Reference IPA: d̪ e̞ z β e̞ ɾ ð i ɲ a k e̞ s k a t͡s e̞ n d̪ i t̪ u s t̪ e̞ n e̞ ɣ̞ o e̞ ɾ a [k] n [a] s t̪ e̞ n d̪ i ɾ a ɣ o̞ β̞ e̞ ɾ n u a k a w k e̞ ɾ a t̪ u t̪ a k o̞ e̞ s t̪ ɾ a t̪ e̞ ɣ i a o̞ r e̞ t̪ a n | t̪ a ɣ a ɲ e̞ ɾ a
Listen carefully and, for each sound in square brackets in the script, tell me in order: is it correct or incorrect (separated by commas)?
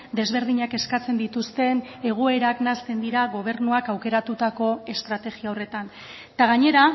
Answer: correct, correct